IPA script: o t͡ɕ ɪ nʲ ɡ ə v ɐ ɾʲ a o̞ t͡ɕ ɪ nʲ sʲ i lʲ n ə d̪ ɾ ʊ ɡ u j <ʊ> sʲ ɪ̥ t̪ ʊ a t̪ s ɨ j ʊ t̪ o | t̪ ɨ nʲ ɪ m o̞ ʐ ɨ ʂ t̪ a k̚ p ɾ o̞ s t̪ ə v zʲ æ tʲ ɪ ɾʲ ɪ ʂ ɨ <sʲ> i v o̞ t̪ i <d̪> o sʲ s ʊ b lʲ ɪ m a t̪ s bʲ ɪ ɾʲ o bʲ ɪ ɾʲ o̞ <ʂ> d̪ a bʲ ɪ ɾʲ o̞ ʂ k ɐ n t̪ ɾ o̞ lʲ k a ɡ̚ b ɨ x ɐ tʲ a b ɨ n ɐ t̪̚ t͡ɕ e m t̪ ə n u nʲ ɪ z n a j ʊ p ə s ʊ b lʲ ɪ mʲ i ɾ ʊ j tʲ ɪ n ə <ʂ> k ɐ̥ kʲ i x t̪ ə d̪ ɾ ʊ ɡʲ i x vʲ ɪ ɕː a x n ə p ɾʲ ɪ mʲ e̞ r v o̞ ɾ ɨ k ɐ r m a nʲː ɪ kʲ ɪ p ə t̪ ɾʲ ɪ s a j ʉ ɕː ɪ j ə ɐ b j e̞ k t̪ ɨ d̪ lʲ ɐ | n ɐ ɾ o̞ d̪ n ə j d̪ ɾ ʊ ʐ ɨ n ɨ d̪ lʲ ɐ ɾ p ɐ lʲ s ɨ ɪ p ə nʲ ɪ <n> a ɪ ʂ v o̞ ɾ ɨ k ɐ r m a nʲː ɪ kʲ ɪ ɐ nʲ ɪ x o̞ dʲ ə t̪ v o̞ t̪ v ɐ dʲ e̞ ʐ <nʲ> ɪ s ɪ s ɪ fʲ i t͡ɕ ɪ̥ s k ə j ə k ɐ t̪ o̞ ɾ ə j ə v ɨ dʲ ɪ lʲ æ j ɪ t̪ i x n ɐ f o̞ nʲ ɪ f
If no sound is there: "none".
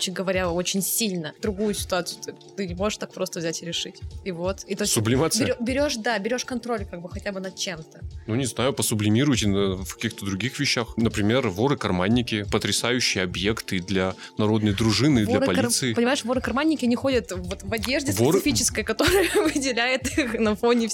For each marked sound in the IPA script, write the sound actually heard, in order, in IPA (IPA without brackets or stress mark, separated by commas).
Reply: ʊ, tʲ, t̪, ʂ, f, m, dʲ